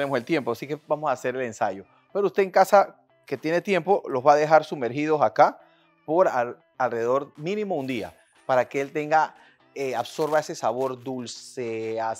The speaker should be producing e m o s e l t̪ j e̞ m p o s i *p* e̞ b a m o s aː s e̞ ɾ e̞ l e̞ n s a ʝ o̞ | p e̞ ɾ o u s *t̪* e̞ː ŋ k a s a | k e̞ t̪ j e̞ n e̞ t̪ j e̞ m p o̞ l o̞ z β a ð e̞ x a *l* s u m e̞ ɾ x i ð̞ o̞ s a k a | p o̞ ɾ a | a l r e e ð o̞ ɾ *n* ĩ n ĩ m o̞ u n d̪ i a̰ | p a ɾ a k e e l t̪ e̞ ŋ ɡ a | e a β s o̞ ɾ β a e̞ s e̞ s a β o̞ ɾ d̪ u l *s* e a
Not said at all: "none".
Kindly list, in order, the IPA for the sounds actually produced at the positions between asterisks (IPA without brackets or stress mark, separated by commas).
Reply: k, t̪, ɾ, m, s